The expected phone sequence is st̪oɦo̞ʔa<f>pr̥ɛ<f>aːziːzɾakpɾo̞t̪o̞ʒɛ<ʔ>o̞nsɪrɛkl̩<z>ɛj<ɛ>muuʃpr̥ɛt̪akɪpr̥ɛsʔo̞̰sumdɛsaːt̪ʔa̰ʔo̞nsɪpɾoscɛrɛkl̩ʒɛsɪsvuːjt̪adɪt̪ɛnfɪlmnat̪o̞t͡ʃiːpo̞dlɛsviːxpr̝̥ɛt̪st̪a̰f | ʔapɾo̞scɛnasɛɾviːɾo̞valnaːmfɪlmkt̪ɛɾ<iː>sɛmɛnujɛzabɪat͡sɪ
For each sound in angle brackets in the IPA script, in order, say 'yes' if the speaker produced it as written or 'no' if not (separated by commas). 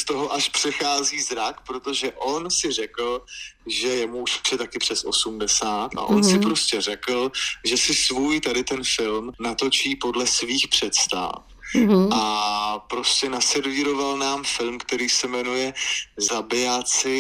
no, no, yes, no, yes, yes